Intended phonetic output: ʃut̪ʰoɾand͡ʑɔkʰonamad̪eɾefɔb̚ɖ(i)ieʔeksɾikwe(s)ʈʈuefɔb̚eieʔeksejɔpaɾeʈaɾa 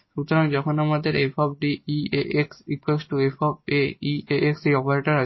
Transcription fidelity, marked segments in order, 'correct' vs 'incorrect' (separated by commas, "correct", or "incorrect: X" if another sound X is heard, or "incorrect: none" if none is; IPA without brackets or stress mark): correct, correct